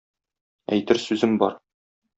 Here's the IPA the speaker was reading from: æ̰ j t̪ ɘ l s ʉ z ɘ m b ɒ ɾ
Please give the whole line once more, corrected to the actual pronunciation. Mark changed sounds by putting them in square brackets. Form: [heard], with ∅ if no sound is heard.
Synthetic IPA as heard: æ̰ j t̪ ɘ [ɾ] s ʉ z ɘ m b ɒ ɾ